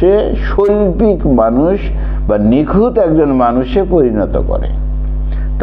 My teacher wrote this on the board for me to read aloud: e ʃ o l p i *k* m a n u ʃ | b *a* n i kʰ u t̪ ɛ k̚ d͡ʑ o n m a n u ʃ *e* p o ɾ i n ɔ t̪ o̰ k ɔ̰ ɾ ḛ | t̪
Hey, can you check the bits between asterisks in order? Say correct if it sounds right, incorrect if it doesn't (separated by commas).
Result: correct, correct, correct